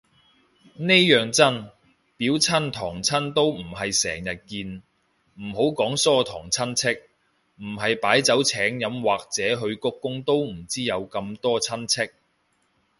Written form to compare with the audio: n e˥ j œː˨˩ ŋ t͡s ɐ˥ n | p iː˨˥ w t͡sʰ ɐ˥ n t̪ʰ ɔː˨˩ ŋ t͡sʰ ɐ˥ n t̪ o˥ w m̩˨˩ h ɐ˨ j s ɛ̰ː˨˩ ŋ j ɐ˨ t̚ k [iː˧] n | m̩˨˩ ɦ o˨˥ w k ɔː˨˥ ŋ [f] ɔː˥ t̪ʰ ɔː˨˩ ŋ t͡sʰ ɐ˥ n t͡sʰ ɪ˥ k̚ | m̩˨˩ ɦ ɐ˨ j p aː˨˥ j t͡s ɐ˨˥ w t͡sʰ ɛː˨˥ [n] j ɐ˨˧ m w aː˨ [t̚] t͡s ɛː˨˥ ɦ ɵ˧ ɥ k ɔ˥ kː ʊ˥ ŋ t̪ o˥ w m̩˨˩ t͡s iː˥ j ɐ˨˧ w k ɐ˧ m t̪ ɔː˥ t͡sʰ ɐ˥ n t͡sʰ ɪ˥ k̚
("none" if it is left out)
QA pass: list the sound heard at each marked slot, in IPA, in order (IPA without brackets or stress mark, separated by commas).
iː˧, s, ŋ, k̚